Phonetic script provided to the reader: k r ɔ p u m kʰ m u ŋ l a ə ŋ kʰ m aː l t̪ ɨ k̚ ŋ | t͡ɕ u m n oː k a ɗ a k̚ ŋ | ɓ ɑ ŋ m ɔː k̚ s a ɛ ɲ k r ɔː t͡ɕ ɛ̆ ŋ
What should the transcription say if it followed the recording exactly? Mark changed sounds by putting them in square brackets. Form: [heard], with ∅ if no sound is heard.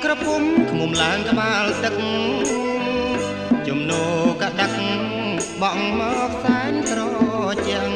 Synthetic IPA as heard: k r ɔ p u m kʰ m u [m] l a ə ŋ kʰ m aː l t̪ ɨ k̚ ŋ | t͡ɕ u m n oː k a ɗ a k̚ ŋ | ɓ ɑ ŋ m ɔː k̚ s a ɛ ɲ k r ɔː t͡ɕ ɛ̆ ŋ